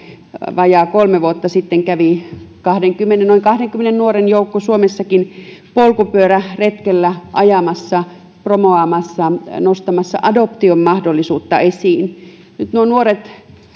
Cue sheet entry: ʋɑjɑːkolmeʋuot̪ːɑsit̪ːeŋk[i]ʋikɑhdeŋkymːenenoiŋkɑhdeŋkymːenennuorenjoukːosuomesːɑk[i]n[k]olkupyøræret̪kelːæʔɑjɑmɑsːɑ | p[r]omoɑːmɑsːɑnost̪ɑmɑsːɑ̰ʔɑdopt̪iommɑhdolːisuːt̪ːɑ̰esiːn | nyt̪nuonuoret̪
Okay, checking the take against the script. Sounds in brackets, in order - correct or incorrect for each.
incorrect, correct, incorrect, correct

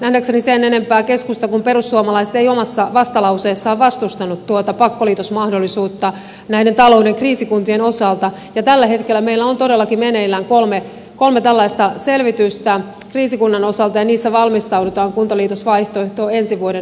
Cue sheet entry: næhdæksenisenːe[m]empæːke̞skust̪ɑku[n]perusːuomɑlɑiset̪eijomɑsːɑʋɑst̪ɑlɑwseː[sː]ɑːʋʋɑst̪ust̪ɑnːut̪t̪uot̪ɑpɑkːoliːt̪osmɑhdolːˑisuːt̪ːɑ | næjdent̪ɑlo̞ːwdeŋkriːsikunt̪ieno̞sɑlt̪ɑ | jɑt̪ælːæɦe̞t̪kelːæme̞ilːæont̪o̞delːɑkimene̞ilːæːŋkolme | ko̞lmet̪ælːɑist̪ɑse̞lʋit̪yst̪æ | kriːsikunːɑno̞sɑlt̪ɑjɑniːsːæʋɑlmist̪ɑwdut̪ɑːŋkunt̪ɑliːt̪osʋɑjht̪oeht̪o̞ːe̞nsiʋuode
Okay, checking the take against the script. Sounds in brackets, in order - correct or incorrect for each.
incorrect, incorrect, correct

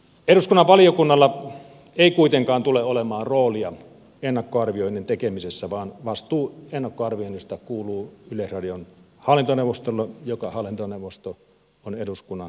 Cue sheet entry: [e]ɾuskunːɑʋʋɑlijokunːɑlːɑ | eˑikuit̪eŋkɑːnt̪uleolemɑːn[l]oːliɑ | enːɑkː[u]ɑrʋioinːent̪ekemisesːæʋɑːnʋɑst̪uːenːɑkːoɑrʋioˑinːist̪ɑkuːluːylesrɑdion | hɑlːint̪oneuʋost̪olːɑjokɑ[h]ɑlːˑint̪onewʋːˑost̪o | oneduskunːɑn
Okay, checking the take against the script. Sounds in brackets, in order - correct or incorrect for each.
correct, incorrect, incorrect, correct

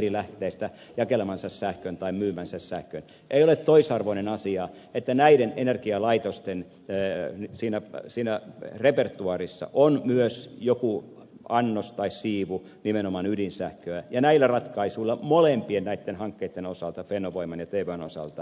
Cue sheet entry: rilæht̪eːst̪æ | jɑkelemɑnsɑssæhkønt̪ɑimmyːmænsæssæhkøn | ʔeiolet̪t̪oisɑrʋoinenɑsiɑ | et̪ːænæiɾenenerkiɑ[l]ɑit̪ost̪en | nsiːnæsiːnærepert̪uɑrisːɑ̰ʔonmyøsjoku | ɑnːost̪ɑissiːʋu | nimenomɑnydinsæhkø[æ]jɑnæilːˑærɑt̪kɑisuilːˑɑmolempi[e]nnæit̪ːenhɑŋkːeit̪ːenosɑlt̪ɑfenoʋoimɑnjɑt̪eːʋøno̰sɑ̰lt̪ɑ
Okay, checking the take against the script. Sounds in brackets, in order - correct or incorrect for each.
correct, correct, correct

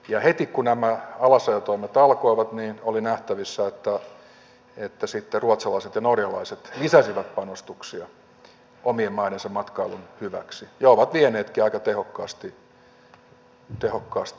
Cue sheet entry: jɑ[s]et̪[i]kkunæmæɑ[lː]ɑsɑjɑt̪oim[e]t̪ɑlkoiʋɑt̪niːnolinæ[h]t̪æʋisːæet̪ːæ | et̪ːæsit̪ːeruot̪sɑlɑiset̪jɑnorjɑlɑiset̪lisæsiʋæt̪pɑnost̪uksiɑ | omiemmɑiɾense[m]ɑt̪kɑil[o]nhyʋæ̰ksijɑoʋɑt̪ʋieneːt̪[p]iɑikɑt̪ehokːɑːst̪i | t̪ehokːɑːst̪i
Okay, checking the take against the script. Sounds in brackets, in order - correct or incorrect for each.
incorrect, correct, incorrect, correct, correct, correct, incorrect, incorrect

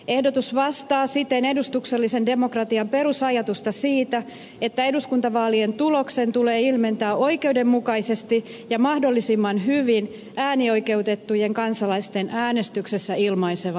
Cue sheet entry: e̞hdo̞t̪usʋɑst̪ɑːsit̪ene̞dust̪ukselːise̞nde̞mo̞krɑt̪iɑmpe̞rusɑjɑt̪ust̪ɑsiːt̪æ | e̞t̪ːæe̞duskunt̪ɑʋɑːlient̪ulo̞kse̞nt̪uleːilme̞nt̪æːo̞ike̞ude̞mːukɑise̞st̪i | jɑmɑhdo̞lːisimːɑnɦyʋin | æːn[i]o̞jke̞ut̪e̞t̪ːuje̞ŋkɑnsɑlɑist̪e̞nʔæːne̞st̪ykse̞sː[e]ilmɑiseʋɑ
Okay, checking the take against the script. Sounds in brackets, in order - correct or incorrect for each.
correct, incorrect

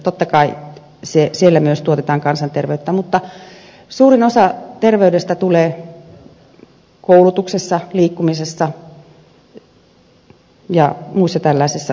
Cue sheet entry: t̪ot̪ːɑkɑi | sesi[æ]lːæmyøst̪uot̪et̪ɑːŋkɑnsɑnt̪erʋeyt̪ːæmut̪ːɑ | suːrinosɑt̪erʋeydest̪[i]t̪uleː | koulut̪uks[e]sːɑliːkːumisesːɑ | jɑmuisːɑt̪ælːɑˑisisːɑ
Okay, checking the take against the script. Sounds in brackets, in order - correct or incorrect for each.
incorrect, incorrect, correct

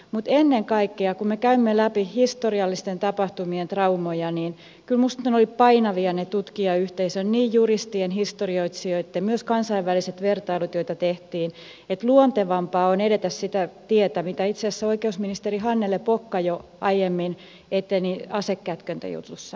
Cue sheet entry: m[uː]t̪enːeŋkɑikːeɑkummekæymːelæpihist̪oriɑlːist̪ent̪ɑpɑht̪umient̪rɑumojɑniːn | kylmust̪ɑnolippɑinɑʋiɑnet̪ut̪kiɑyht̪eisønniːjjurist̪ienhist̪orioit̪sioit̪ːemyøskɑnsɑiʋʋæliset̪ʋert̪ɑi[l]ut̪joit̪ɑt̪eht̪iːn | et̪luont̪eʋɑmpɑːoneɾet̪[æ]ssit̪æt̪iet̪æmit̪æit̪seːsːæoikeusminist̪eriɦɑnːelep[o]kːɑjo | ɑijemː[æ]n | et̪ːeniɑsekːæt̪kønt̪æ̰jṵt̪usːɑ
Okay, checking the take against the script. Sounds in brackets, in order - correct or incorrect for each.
incorrect, correct, correct, correct, incorrect

